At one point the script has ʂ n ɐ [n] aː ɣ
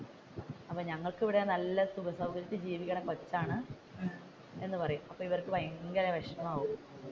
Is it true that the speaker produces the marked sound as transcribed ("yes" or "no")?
no